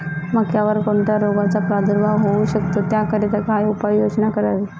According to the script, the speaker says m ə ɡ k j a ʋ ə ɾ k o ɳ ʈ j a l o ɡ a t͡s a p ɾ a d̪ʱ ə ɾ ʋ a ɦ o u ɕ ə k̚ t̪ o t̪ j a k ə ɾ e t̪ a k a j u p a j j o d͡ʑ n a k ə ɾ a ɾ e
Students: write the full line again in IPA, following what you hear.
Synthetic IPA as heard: m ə ɡ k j a ʋ ə ɾ k o ɳ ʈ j a ɾ o ɡ a t͡s a p ɾ a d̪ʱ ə ɾ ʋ a ɦ o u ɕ ə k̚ t̪ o t̪ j a k ə ɾ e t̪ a k a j u p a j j o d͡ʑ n a k ə ɾ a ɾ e